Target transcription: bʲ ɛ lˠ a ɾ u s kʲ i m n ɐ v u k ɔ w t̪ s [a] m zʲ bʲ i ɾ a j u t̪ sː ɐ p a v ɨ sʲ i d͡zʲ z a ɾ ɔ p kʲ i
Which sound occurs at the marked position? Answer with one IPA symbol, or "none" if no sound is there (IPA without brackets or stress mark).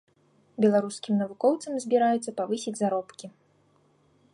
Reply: ɐ